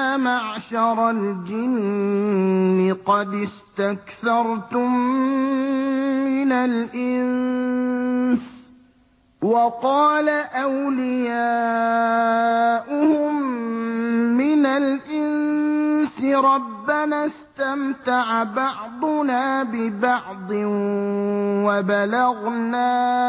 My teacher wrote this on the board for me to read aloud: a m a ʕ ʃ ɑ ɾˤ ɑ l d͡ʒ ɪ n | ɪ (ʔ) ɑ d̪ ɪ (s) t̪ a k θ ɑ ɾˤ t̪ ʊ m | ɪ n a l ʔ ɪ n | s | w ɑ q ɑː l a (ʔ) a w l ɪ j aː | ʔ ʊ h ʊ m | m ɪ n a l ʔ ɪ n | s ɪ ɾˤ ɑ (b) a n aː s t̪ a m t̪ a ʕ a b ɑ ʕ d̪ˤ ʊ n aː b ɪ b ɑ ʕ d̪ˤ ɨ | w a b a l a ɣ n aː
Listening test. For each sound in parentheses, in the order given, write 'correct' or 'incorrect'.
incorrect: q, correct, correct, incorrect: bː

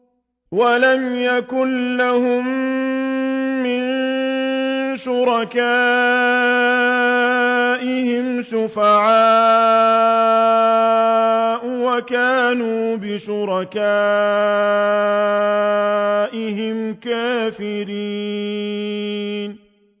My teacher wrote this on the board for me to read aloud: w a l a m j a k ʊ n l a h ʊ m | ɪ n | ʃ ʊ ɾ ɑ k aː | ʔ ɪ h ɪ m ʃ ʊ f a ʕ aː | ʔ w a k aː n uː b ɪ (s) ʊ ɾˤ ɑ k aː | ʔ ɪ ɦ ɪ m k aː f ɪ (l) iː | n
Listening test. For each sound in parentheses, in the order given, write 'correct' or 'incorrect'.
incorrect: ʃ, incorrect: ɾ

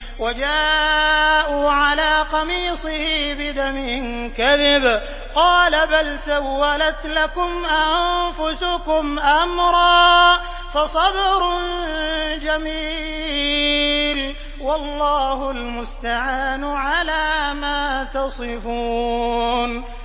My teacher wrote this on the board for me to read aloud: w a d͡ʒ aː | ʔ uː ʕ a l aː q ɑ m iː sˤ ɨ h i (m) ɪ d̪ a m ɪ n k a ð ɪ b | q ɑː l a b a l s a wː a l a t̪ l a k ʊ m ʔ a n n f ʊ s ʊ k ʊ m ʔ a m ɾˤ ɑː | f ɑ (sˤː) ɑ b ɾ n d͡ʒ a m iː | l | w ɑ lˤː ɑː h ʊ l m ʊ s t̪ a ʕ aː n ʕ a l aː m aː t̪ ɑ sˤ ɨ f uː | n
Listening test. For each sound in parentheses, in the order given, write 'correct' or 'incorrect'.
incorrect: b, incorrect: sˤ

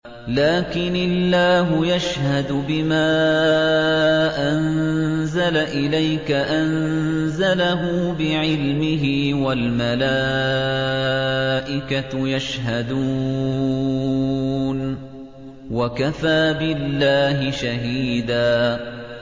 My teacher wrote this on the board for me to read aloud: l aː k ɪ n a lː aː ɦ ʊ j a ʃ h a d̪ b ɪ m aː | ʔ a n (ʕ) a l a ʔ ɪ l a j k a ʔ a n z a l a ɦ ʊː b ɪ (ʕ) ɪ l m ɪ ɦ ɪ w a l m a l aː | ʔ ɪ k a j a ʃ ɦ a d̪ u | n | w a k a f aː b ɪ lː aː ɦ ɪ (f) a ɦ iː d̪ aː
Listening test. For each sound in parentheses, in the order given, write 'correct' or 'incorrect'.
incorrect: z, correct, incorrect: ʃ

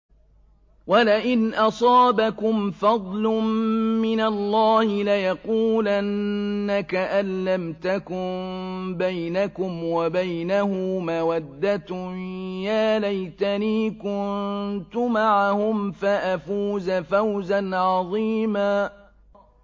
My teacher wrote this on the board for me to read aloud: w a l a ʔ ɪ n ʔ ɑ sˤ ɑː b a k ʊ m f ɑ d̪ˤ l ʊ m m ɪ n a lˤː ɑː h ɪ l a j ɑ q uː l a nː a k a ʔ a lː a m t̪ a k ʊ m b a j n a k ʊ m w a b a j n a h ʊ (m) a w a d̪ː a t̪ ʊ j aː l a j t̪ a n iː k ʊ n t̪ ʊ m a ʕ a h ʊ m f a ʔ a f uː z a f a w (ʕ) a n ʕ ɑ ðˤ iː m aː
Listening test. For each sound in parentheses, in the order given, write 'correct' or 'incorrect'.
correct, incorrect: z

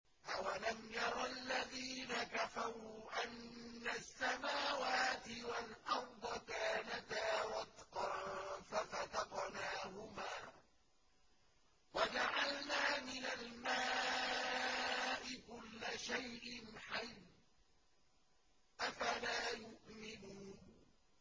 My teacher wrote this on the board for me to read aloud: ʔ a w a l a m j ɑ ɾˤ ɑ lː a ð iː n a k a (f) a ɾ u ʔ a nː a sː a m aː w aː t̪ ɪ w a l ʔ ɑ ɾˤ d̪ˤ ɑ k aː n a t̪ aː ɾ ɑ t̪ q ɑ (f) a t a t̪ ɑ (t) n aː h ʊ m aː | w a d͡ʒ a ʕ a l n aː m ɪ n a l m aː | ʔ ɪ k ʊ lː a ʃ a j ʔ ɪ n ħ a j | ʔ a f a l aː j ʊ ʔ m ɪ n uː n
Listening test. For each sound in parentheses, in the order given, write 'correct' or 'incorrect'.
correct, correct, incorrect: q

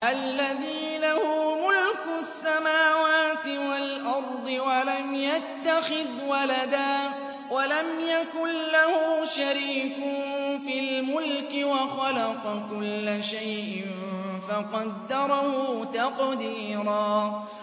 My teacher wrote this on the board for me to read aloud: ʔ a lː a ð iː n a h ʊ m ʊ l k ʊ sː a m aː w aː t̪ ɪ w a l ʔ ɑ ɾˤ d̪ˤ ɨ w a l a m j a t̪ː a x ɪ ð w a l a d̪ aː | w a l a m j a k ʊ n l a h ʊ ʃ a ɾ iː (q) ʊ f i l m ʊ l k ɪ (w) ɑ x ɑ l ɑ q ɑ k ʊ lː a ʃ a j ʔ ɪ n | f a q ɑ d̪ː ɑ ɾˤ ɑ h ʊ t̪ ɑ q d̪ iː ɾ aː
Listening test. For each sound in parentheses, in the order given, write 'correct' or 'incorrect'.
incorrect: k, correct

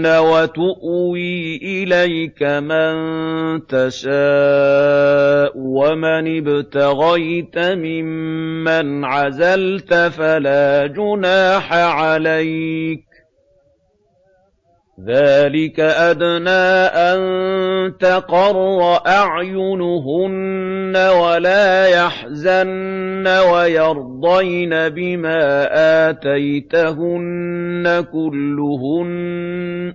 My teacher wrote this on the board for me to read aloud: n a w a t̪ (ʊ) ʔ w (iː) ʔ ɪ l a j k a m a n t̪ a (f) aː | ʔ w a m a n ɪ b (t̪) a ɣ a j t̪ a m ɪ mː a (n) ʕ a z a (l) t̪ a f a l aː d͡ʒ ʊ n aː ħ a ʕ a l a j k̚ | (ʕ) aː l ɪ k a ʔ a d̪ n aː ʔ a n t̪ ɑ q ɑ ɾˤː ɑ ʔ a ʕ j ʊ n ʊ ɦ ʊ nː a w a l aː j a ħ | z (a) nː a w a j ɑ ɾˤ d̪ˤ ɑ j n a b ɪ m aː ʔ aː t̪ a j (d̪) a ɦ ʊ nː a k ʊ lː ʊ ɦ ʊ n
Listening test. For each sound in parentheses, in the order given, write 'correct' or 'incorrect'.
correct, correct, incorrect: ʃ, correct, correct, correct, incorrect: ð, correct, incorrect: t̪

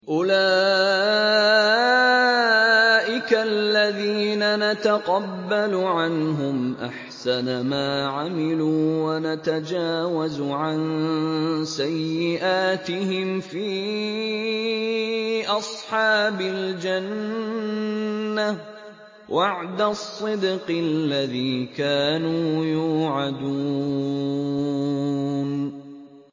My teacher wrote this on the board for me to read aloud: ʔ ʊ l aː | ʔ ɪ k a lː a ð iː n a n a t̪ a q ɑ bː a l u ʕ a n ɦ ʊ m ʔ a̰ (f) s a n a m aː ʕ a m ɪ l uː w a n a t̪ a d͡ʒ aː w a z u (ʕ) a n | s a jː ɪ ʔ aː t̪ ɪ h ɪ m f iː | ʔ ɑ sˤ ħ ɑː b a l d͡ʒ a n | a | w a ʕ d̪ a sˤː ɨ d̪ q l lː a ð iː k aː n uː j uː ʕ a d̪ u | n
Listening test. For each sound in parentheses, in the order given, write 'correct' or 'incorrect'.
incorrect: ħ, correct

